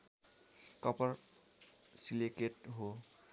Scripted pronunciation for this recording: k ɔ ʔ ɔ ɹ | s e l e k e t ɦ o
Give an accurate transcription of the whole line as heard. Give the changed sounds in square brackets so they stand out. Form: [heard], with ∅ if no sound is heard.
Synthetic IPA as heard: k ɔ [p] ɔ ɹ | s [i] l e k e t ɦ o